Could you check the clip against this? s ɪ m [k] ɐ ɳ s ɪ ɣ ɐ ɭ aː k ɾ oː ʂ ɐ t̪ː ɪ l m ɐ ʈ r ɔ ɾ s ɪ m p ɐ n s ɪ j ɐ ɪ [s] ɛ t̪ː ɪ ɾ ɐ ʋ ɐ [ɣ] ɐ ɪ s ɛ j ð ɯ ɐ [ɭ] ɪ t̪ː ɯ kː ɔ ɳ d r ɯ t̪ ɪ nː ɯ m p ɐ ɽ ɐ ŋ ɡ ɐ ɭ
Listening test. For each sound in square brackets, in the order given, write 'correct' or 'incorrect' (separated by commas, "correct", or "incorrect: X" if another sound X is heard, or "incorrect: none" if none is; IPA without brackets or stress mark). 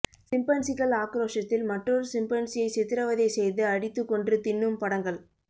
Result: incorrect: p, correct, incorrect: ð, incorrect: ɽ